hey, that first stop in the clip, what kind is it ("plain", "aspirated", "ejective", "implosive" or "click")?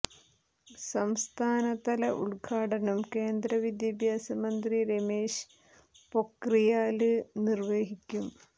aspirated